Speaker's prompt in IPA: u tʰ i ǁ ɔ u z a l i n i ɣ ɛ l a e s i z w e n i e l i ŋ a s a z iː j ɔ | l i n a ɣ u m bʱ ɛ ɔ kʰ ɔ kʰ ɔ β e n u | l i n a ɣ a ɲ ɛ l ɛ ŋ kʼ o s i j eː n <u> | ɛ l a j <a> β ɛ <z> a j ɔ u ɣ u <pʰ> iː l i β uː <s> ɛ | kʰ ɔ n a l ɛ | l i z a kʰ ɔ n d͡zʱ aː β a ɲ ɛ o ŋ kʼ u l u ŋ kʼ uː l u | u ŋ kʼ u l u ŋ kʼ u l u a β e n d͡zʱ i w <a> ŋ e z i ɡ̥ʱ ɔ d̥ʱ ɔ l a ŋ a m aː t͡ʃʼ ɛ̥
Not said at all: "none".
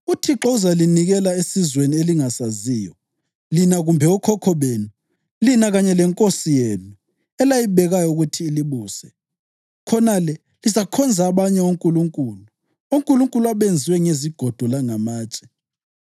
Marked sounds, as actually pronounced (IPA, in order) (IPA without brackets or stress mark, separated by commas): u, i, ɣ, tʰ, s, ɛ